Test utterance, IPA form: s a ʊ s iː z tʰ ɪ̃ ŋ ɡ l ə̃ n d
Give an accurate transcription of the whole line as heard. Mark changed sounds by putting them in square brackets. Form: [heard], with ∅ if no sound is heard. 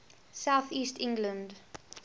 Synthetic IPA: s a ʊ [θ] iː [s] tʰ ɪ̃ ŋ ɡ l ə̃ n d